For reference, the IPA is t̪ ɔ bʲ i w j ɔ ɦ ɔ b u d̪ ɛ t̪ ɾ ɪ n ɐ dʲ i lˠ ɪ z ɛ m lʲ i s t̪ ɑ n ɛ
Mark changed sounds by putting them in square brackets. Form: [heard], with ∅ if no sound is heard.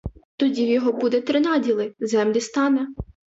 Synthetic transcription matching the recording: t̪ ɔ [dʲ] i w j ɔ ɦ ɔ b u d̪ ɛ t̪ ɾ ɪ n [ɑ] dʲ i lˠ ɪ z ɛ m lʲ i s t̪ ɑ n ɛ